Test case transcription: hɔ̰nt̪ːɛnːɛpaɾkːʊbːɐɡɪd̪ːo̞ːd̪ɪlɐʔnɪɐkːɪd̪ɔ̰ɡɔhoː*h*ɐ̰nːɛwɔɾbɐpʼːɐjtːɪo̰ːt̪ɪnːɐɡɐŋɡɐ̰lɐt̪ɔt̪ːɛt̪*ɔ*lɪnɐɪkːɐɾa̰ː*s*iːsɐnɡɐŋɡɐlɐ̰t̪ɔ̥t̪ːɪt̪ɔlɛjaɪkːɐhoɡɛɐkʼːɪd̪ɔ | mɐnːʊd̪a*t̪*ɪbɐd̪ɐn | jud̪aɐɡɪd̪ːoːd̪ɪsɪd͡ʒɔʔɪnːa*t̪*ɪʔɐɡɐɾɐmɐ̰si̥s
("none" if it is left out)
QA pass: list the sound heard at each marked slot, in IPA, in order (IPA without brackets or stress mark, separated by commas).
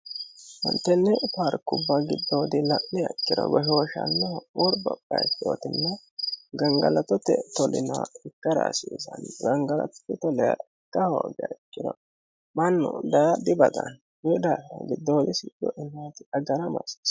ʃ, ɔ, s, d̪, t̪